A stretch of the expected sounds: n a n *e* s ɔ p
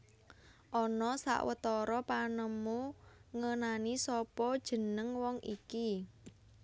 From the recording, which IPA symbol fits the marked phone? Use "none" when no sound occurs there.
i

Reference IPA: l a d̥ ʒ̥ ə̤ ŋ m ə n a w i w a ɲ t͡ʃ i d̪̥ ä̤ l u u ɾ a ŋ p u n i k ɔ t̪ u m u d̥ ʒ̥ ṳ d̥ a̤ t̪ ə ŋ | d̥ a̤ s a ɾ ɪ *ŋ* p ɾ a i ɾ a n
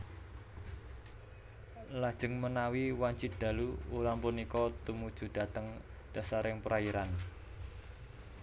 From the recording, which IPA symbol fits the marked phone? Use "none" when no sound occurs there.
ŋ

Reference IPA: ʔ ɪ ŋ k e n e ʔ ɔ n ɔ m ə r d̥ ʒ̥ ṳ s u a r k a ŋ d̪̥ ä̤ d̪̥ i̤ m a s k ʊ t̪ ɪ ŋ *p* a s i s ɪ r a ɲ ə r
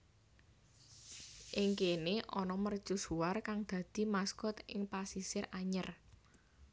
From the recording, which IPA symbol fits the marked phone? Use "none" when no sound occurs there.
p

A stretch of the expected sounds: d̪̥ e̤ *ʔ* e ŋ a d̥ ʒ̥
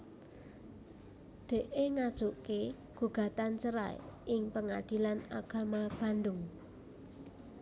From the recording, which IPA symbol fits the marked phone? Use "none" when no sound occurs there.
ʔ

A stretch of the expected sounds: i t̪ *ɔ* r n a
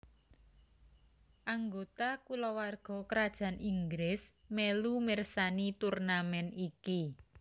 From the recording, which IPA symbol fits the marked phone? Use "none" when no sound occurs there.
u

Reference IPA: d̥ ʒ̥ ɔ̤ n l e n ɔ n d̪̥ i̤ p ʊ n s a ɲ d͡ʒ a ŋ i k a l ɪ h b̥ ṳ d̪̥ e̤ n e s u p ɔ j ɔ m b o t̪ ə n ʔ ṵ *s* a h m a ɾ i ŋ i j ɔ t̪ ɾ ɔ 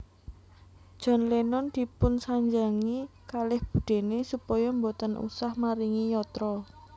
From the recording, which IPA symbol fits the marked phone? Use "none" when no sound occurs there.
s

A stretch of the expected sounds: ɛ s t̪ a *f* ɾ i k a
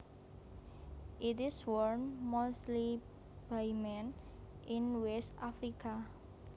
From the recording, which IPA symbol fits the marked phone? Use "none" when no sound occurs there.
f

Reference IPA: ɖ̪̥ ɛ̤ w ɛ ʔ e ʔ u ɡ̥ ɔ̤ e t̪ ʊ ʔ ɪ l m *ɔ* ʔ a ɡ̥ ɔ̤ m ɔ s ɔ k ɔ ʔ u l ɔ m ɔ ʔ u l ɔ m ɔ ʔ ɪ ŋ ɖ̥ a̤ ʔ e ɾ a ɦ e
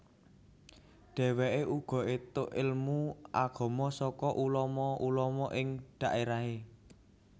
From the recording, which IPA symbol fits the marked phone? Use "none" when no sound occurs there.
u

